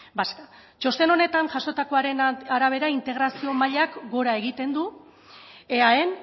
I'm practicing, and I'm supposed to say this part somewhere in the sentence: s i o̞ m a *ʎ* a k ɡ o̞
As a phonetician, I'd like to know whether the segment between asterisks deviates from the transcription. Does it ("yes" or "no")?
no